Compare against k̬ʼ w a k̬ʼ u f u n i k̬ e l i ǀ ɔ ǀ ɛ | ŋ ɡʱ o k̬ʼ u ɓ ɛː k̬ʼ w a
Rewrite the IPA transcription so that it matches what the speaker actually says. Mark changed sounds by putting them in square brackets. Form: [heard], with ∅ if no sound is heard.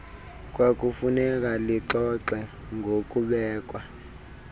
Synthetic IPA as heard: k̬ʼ w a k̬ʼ u f u n [ɛ] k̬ [a] l i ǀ ɔ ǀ ɛ | ŋ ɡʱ o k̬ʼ u ɓ ɛː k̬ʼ w a